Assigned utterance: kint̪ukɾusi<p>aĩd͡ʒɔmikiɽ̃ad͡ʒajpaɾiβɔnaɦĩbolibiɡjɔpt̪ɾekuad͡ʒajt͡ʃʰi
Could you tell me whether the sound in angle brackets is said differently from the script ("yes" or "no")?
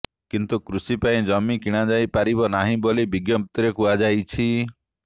no